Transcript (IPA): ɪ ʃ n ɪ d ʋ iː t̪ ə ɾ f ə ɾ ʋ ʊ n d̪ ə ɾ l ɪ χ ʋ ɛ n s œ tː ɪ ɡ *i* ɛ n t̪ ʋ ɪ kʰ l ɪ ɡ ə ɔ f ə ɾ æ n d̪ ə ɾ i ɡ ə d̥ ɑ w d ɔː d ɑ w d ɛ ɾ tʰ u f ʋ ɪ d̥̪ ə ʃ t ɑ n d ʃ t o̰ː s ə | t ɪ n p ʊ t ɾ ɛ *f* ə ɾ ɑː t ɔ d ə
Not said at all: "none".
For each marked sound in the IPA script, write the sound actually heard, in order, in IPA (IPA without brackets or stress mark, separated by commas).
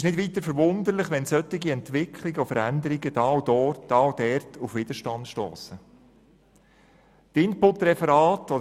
i, f